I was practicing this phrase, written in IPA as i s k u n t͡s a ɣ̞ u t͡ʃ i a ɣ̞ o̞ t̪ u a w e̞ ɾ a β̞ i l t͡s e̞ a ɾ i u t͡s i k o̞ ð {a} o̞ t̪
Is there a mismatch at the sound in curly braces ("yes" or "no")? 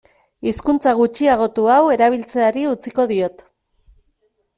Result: yes